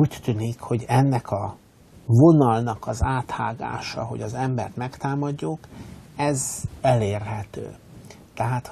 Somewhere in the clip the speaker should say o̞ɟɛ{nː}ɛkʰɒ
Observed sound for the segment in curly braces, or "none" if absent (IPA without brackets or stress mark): nː